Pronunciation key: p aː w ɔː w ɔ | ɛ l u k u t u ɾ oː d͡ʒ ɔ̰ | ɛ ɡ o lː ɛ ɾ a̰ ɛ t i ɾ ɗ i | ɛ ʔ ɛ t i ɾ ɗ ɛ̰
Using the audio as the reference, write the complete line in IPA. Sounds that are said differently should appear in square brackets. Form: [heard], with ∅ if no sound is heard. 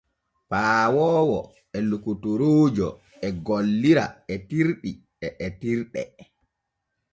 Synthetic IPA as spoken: p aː w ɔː w ɔ | ɛ l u k u t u ɾ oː d͡ʒ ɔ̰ | ɛ ɡ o lː [i] ɾ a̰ ɛ t i ɾ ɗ i | ɛ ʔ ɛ t i ɾ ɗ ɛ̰